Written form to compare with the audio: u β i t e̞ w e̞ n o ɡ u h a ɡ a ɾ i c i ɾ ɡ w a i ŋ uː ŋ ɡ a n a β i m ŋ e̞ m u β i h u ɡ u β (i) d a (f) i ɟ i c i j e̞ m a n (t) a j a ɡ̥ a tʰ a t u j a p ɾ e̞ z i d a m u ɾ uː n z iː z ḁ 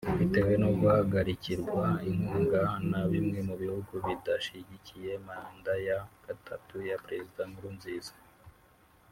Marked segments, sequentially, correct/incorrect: correct, incorrect, incorrect

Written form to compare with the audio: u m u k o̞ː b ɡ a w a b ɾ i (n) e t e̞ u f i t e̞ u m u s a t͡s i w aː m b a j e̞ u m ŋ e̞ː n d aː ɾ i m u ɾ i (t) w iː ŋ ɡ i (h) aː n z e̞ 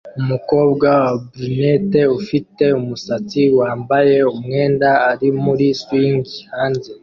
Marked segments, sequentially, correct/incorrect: correct, incorrect, correct

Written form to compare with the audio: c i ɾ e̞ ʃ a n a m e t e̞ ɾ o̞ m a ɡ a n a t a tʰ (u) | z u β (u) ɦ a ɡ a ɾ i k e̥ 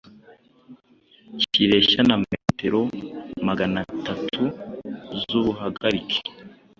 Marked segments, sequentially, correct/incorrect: correct, correct

